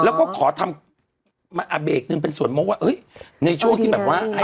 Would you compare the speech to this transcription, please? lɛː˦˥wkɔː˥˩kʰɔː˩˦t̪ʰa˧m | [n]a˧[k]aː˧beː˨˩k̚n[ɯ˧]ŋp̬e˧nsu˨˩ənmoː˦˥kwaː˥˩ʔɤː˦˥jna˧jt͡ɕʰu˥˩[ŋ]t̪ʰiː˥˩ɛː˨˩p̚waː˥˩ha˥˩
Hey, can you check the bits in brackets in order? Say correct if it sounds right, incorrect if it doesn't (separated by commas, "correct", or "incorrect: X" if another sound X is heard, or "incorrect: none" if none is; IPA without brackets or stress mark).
incorrect: m, incorrect: ʔ, correct, correct